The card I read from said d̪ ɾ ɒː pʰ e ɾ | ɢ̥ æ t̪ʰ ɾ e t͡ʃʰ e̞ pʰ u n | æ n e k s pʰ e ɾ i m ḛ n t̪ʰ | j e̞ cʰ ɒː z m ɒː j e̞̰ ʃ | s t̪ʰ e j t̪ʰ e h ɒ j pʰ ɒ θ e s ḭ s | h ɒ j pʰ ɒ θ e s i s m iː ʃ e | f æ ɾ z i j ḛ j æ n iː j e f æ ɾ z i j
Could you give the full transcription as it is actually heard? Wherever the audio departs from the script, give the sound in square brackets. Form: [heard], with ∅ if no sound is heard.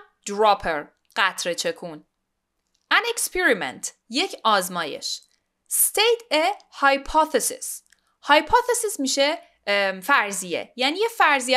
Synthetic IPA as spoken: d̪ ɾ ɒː pʰ e ɾ | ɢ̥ æ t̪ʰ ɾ e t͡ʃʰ e̞ [kʰ] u n | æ n e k s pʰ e ɾ i m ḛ n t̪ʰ | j e̞ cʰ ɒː z m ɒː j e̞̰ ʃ | s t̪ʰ e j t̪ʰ e h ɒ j pʰ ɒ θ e s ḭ s | h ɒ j pʰ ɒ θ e s i s m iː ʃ e | f æ ɾ z i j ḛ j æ n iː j e f æ ɾ z i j